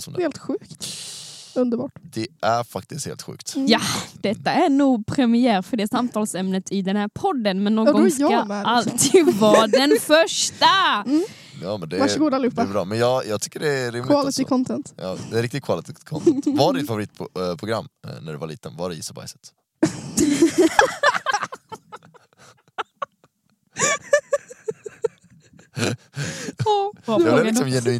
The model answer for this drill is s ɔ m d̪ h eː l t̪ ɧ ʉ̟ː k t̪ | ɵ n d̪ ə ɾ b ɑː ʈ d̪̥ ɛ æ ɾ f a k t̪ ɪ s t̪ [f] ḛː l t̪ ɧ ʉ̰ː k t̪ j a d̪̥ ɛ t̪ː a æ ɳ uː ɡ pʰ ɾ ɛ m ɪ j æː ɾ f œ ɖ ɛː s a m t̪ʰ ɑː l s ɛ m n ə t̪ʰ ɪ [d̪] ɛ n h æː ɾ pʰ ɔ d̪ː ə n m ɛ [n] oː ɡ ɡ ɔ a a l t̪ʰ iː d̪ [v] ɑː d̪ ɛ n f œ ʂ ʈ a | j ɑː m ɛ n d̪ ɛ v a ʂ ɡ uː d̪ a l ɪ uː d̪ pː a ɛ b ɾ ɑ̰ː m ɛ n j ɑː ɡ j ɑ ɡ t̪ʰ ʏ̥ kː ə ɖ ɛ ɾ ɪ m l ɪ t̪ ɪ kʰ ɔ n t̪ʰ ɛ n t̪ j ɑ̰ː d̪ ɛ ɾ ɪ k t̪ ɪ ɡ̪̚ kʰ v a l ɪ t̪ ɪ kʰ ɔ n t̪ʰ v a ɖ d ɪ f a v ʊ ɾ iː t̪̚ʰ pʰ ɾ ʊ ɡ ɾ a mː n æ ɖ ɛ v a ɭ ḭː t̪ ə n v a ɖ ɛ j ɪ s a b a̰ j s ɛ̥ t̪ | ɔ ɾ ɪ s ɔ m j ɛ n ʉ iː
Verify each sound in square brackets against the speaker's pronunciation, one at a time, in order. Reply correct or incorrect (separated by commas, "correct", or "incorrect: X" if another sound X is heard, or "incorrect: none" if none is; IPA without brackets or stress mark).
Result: incorrect: h, correct, incorrect: nː, correct